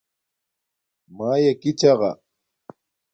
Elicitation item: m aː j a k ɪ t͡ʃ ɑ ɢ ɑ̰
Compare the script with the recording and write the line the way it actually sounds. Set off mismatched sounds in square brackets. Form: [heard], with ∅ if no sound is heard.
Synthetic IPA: m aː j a k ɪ t͡ʃ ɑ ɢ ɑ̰